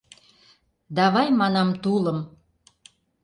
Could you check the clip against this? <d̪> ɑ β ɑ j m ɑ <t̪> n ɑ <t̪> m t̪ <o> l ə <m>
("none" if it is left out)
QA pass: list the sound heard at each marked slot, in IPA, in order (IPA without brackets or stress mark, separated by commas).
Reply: d̪, none, none, u, m